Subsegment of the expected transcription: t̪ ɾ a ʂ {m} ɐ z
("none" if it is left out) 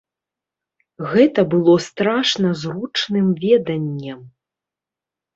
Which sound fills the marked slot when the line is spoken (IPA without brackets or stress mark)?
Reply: n